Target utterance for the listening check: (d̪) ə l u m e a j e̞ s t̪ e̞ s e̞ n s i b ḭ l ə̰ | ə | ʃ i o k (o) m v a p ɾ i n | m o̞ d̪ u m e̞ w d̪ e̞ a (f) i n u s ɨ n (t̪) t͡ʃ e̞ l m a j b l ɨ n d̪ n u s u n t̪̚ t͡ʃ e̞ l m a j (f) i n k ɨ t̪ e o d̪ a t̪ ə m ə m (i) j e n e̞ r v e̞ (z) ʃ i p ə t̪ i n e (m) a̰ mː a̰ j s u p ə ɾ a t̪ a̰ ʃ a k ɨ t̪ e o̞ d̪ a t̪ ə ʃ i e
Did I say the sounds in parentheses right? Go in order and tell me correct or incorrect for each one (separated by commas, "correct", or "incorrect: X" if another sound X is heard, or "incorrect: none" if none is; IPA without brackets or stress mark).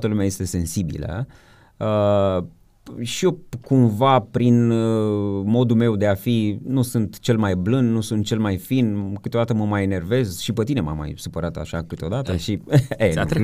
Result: incorrect: t̪, incorrect: u, correct, correct, correct, incorrect: a, correct, correct